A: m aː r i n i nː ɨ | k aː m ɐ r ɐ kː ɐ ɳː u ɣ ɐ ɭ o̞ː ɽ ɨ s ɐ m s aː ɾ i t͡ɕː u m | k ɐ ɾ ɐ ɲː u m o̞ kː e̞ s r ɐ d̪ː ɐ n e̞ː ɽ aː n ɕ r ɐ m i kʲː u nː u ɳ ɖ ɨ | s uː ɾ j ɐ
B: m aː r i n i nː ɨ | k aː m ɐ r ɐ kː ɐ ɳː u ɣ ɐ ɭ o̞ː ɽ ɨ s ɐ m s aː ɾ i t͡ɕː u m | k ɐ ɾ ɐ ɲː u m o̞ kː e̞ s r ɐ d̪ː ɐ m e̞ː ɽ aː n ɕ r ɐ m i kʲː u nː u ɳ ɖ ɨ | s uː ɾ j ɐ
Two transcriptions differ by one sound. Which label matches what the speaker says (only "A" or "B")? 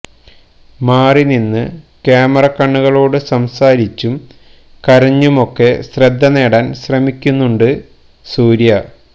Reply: A